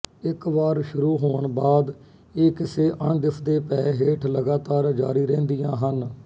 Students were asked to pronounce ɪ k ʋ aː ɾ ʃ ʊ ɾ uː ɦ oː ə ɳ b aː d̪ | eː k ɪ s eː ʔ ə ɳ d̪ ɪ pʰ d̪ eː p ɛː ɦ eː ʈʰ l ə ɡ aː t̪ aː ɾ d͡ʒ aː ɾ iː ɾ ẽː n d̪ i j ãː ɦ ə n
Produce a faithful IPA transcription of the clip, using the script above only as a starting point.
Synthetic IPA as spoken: ɪ k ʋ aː ɾ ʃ ʊ ɾ uː ɦ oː ə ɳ b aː d̪ | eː k ɪ s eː ʔ ə ɳ d̪ ɪ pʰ d̪ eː p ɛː ɦ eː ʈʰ l ə ɡ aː t̪ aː ɾ d͡ʒ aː ɾ iː ɾ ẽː n d̪ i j ãː ɦ ə n